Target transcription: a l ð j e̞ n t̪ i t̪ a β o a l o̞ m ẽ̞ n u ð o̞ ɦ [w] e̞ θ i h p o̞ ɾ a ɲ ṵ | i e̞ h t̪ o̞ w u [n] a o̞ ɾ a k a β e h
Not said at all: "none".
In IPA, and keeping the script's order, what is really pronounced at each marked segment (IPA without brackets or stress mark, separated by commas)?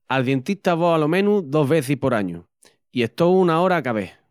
β, n